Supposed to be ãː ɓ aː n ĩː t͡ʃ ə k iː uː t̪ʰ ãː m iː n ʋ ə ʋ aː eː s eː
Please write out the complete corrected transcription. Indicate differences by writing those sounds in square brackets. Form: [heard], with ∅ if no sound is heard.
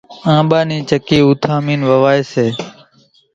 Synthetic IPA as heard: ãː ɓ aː n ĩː t͡ʃ ə k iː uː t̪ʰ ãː m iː n ʋ ə ʋ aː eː s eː